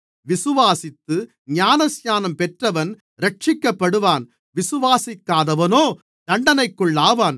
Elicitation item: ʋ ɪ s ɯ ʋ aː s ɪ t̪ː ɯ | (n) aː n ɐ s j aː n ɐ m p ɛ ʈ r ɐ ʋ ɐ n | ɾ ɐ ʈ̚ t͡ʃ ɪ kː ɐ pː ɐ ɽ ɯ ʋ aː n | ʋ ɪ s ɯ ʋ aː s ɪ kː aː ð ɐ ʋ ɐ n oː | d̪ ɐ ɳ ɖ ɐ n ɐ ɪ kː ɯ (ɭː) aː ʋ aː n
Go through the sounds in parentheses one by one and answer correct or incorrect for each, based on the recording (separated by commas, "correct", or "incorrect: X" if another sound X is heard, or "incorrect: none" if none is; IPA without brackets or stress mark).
incorrect: ɲ, correct